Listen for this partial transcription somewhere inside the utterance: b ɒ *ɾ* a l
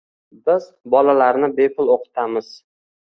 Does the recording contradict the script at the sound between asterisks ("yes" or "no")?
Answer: yes